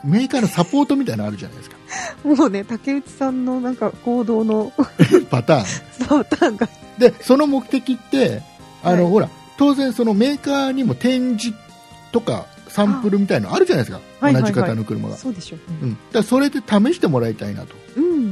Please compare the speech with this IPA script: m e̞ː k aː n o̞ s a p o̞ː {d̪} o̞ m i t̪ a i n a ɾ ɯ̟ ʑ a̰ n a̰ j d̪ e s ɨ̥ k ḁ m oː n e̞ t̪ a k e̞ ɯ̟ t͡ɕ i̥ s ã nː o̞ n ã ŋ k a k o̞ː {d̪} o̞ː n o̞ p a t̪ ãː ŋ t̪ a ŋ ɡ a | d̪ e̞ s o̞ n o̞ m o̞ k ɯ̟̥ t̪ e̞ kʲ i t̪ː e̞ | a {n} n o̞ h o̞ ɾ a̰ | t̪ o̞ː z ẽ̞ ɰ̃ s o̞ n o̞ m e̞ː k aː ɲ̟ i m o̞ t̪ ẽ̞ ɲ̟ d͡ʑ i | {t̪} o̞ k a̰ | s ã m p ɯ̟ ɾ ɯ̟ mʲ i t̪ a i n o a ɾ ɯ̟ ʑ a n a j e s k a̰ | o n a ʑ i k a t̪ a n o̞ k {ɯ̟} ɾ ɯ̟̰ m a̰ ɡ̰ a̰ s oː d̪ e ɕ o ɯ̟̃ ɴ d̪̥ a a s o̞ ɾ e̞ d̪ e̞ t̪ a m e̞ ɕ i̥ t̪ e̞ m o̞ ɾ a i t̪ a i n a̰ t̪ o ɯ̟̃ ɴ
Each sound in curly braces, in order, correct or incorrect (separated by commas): incorrect, correct, correct, correct, correct